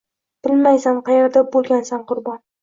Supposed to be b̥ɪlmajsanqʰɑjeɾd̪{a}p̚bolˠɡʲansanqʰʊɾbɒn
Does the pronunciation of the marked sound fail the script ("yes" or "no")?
no